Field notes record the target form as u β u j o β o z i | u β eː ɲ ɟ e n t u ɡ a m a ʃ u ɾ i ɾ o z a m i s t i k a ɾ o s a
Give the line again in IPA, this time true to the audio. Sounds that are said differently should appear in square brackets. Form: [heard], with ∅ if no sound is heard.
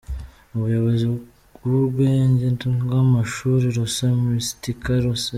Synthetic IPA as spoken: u β u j o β o z i | u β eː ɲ ɟ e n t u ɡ a m a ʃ u ɾ i ɾ o [s] a m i s t i k a ɾ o s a